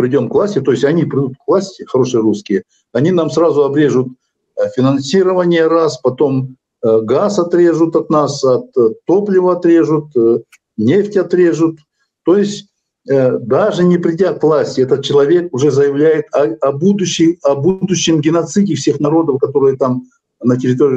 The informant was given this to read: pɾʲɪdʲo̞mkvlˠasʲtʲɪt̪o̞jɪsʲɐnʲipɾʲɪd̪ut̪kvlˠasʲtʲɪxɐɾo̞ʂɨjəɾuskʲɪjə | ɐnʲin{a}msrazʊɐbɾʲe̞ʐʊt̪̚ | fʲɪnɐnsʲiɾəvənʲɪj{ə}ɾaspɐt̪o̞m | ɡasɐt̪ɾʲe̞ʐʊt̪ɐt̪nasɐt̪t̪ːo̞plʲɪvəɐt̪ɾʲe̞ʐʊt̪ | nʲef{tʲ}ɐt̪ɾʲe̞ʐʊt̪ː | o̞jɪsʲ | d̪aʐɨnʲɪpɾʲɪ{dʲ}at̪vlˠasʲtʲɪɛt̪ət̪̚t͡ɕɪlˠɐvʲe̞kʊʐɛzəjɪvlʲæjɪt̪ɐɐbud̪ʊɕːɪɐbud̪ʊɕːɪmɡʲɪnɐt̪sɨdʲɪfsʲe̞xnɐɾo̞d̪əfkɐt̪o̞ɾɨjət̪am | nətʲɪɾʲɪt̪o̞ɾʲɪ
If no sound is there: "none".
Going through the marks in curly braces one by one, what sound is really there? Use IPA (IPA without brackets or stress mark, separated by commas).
a, ə, tʲ, dʲ